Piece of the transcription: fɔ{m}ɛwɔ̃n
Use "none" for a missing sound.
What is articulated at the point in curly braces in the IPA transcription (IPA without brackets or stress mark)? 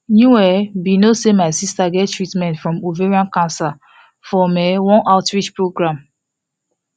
m